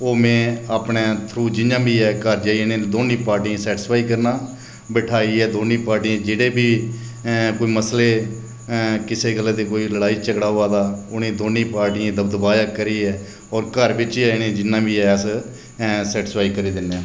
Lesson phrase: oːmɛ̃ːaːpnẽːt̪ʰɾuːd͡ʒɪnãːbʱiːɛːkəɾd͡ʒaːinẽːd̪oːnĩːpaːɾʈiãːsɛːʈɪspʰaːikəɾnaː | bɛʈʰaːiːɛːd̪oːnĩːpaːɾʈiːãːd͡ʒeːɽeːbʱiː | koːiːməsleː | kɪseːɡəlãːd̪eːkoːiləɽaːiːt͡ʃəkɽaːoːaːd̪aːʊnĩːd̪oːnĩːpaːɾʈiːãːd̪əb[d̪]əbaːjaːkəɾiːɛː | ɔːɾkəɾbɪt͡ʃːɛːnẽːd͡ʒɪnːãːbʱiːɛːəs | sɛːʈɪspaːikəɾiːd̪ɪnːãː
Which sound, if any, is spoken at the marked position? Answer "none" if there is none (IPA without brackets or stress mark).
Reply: d̪